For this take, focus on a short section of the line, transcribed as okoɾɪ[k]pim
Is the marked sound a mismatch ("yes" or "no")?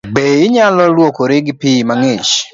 yes